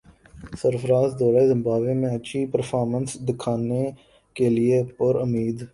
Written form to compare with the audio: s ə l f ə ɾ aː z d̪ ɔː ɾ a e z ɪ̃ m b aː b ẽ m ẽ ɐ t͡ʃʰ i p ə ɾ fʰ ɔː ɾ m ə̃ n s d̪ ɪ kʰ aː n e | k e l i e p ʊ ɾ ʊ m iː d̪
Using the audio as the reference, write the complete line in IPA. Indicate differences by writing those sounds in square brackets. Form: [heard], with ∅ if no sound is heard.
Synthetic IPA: s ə [ɾ] f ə ɾ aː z d̪ ɔː ɾ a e z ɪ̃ m b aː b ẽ m ẽ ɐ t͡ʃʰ i p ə ɾ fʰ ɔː ɾ m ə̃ n s d̪ ɪ kʰ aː n e | k e l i e p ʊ ɾ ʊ m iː d̪